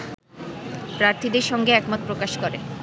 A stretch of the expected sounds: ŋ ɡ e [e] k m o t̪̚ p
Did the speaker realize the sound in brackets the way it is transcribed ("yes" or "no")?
no